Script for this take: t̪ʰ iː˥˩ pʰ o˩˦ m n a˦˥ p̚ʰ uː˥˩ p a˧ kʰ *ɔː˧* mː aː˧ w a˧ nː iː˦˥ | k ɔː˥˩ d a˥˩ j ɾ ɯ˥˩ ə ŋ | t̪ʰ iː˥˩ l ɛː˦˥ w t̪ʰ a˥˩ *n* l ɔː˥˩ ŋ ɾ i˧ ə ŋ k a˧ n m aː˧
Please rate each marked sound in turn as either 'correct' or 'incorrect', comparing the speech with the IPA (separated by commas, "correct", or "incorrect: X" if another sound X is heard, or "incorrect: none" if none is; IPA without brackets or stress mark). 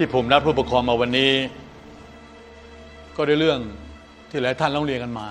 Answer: correct, correct